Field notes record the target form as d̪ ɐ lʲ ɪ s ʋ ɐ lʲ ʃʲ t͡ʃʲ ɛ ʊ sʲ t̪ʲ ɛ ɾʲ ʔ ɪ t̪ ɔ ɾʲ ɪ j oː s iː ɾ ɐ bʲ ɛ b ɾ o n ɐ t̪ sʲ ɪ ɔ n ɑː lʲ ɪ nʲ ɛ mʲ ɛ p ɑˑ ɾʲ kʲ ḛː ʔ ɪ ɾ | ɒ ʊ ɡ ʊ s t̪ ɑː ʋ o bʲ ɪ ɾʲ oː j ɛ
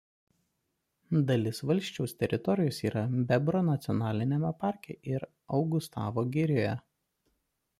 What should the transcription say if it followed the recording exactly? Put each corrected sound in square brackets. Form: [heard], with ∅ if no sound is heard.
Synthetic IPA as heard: d̪ ɐ lʲ ɪ s ʋ ɐ lʲ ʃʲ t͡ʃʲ ɛ ʊ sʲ t̪ʲ ɛ ɾʲ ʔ ɪ t̪ ɔ ɾʲ ɪ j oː s iː ɾ ɐ bʲ ɛ b ɾ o n ɐ t̪ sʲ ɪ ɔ n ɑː lʲ ɪ nʲ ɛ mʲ ɛ p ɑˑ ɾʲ kʲ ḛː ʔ ɪ ɾ | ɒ ʊ ɡ ʊ s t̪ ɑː ʋ o [ɡʲ] ɪ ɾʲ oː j ɛ